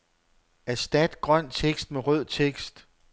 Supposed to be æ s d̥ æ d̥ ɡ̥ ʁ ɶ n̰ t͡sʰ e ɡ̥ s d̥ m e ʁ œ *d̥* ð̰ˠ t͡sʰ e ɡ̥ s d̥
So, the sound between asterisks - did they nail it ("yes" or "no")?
no